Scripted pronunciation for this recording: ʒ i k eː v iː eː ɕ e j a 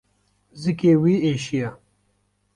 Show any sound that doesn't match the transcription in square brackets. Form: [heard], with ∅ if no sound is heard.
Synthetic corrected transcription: [z] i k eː [w] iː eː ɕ [i] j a